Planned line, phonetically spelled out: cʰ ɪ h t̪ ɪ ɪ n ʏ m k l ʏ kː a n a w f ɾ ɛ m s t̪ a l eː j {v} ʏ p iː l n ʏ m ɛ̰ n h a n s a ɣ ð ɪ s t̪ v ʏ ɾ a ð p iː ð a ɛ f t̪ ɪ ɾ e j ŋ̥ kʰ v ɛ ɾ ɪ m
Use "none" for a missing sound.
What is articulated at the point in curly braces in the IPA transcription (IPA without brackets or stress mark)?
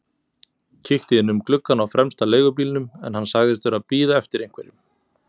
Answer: ɣ